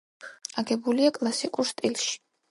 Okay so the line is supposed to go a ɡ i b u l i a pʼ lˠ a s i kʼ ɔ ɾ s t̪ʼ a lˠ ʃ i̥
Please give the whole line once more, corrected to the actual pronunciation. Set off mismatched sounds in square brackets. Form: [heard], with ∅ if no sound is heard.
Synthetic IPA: a ɡ [ɛ] b u l i a [kʼ] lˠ a s i kʼ [u] ɾ s t̪ʼ [i] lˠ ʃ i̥